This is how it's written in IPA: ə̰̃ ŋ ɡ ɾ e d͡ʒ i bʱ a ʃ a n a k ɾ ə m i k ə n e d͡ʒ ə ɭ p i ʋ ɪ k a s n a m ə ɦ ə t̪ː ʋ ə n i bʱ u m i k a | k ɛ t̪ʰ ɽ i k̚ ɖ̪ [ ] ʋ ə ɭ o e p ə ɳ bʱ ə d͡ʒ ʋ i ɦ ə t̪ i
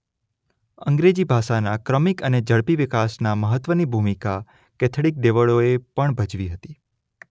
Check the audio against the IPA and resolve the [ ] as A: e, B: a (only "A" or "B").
A